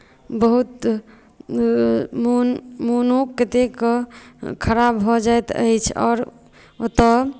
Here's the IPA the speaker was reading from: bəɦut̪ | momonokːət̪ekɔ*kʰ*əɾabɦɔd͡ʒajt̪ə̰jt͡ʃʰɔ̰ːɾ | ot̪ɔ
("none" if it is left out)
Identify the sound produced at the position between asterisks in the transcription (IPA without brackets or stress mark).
kʰ